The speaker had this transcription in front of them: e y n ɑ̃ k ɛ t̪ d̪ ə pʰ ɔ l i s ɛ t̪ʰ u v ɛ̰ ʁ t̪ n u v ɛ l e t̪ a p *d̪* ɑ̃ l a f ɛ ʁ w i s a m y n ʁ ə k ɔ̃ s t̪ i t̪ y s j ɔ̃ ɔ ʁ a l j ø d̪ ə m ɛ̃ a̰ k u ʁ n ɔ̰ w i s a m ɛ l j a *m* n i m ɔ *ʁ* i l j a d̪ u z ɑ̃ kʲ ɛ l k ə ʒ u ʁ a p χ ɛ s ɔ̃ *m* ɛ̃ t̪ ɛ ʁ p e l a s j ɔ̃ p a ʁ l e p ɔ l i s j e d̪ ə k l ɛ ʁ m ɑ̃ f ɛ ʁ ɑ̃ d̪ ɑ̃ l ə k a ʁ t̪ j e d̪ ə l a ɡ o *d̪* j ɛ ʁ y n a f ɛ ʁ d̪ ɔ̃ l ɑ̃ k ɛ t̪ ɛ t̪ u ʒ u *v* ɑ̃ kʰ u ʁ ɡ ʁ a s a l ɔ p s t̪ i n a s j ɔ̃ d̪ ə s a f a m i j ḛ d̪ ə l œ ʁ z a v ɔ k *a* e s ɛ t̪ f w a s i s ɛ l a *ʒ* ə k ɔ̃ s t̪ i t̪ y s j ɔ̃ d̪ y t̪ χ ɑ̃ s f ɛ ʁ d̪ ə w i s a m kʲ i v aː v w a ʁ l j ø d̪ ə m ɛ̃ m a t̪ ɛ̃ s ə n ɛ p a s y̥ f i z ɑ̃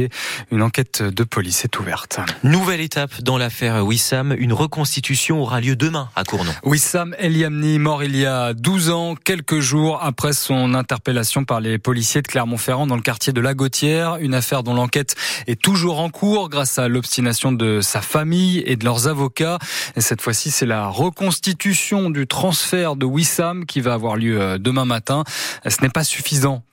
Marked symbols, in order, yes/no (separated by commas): yes, yes, yes, no, no, no, yes, no